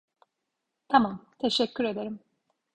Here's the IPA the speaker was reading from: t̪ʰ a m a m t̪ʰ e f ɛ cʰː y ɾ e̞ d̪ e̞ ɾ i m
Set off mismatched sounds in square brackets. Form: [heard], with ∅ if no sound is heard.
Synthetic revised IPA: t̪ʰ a m a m t̪ʰ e [ʃ] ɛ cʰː y ɾ e̞ d̪ e̞ ɾ i m